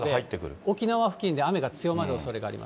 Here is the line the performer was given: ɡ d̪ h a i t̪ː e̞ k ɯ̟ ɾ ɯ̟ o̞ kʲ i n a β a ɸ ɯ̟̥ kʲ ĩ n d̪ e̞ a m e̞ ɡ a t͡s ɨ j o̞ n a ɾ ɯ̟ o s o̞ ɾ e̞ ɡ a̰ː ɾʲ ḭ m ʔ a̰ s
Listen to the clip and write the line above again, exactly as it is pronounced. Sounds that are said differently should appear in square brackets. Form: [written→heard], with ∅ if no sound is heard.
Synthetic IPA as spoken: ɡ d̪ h a i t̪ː e̞ k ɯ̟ ɾ ɯ̟ o̞ kʲ i n a β a ɸ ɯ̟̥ kʲ ĩ n d̪ e̞ a m e̞ ɡ a t͡s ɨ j o̞ [n→m] a ɾ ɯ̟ o s o̞ ɾ e̞ ɡ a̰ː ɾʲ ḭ m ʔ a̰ s